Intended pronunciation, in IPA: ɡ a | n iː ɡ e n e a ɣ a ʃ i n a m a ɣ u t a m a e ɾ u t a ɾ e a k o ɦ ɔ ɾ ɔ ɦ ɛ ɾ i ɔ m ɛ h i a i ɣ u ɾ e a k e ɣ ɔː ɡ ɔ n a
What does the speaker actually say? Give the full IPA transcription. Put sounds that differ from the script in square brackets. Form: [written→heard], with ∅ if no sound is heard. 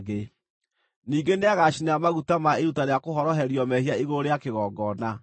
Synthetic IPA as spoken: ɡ [a→e] | n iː ɡ e n e a ɣ a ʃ i n a m a ɣ u t a m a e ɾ u t a ɾ e a k o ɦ ɔ ɾ ɔ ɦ ɛ ɾ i ɔ m ɛ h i a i ɣ [u→o] ɾ e a k e ɣ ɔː ɡ ɔ n a